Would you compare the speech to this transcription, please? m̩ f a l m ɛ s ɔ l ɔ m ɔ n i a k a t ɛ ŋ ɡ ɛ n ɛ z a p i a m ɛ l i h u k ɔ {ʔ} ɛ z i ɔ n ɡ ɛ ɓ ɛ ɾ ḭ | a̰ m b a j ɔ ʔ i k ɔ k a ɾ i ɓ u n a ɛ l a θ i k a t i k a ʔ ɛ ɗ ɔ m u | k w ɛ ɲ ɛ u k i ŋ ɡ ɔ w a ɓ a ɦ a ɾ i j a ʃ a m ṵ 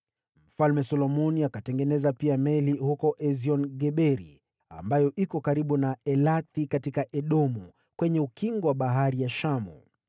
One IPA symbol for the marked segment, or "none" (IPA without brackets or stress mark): ʔ